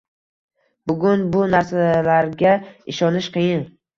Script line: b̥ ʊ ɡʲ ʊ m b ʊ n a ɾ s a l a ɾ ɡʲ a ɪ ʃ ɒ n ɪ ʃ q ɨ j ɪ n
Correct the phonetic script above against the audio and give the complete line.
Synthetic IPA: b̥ ʊ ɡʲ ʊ n b ʊ n a ɾ s a l a ɾ ɡʲ a ɪ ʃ ɒ n ɪ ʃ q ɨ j ɪ n